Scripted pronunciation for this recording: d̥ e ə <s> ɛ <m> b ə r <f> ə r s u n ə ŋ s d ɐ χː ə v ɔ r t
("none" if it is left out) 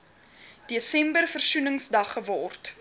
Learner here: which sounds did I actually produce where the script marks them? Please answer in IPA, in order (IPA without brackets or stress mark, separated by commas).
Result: s, m, f